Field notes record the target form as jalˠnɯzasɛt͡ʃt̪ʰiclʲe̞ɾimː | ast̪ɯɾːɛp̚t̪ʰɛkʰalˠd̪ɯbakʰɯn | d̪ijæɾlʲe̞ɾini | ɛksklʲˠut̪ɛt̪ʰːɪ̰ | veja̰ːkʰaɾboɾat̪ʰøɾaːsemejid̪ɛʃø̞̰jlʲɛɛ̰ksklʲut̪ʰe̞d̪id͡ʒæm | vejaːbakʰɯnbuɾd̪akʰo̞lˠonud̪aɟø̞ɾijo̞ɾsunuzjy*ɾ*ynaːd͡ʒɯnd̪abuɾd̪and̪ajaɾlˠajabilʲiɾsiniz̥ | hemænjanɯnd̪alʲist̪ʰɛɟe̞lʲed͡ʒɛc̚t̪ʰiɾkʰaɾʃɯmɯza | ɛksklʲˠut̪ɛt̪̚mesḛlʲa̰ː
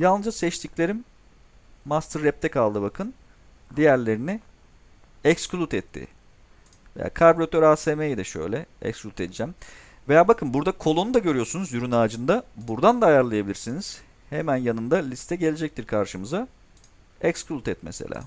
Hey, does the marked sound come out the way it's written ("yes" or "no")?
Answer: yes